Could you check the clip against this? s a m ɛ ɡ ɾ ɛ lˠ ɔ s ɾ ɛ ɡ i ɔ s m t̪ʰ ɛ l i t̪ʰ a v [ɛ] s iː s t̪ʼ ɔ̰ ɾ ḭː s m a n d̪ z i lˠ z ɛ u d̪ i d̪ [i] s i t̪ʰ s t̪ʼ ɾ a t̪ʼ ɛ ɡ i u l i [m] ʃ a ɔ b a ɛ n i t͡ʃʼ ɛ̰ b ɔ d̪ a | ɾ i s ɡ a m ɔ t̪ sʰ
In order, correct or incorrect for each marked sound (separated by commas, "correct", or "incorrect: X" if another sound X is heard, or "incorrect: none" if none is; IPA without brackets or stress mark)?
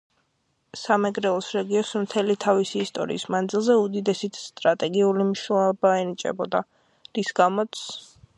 incorrect: i, incorrect: ɛ, correct